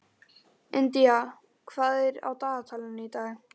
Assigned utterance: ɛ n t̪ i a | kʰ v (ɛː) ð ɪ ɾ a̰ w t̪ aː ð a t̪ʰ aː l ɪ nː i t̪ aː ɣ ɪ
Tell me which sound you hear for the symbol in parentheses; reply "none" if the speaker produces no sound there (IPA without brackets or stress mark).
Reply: aː